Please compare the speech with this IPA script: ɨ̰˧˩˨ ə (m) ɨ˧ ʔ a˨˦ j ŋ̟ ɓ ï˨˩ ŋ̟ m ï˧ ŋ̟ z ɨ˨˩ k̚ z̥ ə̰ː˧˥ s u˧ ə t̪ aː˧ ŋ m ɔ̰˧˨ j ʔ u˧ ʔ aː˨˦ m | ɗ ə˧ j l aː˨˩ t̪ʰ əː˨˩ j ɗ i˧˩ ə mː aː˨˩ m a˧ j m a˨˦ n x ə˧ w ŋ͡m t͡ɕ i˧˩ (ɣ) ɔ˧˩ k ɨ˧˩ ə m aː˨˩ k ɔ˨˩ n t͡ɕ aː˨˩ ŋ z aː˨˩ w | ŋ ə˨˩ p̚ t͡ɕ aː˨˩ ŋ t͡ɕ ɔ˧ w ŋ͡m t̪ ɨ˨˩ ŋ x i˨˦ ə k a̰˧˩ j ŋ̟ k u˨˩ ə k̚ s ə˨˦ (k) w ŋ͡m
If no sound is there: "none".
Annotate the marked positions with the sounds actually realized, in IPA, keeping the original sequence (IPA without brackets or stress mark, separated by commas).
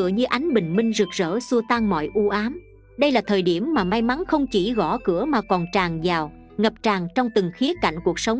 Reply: ɲ, ɣ, none